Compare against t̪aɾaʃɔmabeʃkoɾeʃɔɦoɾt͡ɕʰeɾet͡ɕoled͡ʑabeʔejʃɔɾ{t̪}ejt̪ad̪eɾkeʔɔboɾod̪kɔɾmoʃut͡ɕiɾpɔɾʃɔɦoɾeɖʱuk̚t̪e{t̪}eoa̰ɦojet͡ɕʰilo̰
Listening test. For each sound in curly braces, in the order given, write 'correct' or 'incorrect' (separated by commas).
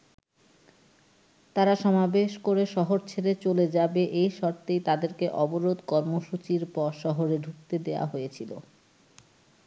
correct, incorrect